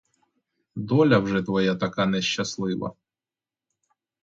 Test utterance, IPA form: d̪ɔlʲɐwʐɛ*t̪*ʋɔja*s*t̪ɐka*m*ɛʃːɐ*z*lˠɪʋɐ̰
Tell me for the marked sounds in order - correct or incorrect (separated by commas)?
correct, incorrect, incorrect, incorrect